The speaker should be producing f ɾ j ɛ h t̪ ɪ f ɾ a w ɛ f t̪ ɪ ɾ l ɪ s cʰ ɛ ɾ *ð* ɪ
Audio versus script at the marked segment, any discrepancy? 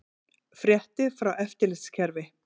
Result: yes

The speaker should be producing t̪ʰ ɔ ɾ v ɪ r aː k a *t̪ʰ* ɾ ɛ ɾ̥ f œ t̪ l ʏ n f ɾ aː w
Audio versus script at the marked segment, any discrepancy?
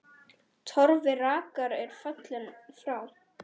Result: yes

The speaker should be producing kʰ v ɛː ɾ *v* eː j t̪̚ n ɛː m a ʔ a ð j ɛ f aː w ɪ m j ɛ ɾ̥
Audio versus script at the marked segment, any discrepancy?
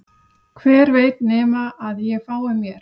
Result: no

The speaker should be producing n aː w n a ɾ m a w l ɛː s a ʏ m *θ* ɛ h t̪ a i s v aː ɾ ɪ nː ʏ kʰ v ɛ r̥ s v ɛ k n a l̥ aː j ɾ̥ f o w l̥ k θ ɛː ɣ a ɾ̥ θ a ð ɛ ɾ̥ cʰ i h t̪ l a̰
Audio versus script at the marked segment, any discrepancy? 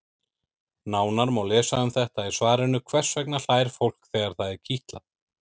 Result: no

